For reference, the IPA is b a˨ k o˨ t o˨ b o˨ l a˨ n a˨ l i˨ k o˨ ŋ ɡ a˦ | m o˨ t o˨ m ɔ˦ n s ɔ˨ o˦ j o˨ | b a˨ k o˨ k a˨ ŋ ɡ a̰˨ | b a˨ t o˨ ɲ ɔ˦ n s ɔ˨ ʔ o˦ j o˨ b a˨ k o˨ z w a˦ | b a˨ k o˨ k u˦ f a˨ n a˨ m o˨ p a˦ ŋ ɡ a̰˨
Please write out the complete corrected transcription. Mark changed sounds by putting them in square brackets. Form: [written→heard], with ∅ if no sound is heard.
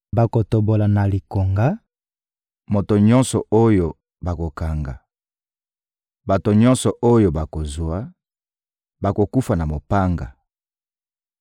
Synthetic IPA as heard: b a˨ k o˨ t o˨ b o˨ l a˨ n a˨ l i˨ k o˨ ŋ ɡ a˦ | m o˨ t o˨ [m→ɲ] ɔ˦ n s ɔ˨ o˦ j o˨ | b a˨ k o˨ k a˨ ŋ ɡ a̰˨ | b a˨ t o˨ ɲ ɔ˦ n s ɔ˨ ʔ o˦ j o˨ b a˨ k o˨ z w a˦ | b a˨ k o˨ k u˦ f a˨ n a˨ m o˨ p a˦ ŋ ɡ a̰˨